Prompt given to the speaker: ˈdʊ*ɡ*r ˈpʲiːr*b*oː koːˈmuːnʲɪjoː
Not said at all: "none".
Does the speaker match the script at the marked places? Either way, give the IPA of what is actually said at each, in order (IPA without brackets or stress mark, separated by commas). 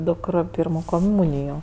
k, m